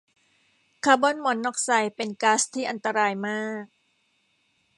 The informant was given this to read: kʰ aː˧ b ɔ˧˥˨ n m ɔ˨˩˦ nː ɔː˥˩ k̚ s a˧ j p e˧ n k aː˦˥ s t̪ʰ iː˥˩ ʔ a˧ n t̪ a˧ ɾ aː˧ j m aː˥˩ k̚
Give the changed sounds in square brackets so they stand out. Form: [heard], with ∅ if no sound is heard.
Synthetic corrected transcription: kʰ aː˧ b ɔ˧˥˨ n m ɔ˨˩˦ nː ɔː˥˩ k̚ s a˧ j p e˧ n k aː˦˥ s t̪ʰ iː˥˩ ʔ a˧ n t̪ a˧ ɾ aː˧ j m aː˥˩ k̚